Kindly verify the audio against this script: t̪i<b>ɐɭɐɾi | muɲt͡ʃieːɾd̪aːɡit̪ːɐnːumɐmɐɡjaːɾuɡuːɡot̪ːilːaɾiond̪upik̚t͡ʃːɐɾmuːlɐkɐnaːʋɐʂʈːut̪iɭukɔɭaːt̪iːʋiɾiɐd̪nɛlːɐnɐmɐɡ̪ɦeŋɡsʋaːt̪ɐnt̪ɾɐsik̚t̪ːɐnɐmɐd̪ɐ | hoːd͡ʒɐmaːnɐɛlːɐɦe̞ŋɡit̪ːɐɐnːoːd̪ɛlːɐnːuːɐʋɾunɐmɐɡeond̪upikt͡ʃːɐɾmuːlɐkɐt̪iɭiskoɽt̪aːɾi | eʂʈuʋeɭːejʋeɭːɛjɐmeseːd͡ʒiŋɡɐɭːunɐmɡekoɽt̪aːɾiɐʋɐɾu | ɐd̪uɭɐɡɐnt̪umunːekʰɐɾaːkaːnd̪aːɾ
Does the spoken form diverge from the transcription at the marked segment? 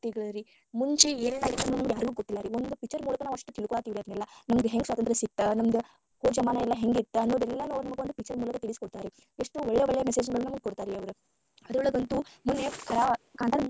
yes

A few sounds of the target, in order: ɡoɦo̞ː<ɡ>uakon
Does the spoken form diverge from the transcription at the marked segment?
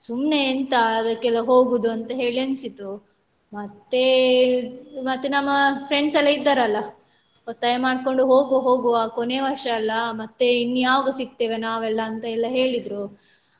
no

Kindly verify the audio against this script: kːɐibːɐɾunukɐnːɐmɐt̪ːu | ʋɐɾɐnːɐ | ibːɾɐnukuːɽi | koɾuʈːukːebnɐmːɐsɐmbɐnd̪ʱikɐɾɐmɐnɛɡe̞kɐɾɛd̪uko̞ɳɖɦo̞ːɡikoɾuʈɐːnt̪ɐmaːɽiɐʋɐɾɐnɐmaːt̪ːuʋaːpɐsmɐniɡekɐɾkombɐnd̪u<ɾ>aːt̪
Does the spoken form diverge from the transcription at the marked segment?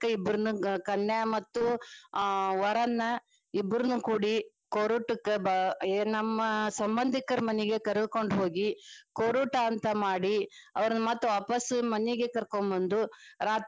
no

